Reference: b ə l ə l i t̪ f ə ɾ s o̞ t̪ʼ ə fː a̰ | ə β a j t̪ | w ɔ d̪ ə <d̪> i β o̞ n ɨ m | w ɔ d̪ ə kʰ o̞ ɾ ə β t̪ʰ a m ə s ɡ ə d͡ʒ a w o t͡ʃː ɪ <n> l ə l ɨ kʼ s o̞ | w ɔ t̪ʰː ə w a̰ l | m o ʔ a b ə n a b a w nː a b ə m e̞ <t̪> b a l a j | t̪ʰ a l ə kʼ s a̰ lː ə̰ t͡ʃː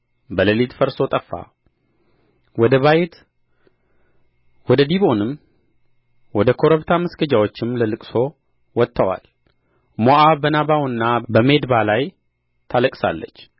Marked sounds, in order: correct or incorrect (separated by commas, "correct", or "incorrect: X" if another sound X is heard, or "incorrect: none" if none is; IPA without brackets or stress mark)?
correct, incorrect: m, incorrect: d̪